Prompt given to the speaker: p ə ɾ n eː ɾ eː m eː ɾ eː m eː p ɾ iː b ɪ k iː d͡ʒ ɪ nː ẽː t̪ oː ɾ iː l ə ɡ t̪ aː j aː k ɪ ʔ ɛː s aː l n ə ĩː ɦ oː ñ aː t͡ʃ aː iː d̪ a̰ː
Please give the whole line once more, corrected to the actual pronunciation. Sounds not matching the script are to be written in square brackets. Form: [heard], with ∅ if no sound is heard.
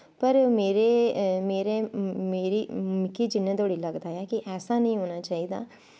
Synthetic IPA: p ə ɾ [m] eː ɾ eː m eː ɾ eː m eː [∅] ɾ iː [m] ɪ k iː d͡ʒ ɪ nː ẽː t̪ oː [ɽ] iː l ə ɡ [d̪] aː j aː k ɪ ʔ ɛː s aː [∅] n ə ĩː ɦ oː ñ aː t͡ʃ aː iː d̪ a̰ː